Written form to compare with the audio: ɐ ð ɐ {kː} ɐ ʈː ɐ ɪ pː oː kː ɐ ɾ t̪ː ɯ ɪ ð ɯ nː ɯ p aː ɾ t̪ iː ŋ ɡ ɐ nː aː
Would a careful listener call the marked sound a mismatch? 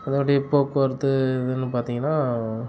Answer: yes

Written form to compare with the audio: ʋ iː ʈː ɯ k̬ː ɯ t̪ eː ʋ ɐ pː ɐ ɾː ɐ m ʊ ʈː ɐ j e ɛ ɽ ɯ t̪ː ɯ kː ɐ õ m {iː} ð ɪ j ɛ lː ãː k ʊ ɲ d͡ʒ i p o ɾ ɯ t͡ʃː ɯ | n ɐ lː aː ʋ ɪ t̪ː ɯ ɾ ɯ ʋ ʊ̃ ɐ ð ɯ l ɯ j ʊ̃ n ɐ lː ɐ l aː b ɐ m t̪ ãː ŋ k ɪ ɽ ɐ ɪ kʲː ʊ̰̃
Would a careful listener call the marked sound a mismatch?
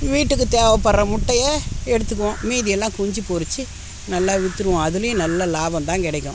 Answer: no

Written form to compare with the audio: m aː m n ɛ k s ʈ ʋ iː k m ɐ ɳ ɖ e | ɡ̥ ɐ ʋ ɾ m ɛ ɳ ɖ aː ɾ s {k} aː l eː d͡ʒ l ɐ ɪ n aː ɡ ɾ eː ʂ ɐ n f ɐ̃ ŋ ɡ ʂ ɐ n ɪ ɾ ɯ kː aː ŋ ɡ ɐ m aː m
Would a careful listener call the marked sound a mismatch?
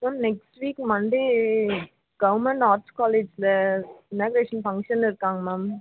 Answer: no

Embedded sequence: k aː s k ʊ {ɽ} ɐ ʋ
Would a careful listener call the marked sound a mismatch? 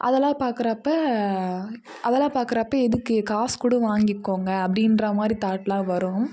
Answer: no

